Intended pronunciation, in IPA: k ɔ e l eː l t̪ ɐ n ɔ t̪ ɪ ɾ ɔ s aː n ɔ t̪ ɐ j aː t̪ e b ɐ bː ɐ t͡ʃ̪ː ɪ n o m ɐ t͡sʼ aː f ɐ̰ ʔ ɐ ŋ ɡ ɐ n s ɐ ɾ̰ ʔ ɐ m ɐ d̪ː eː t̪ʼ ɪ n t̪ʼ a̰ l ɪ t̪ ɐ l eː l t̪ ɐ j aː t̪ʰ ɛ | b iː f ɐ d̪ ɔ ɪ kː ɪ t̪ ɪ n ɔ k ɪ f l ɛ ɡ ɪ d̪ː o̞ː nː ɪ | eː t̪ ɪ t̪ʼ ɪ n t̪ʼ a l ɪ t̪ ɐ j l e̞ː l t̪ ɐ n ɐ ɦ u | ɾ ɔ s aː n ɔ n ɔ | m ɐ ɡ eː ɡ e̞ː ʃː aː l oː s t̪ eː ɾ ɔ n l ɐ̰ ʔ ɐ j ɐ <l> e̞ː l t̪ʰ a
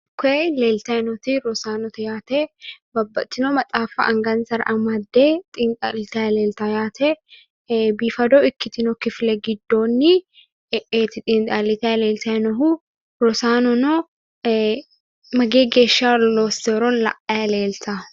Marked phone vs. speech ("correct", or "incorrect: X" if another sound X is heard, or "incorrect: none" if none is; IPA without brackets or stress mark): correct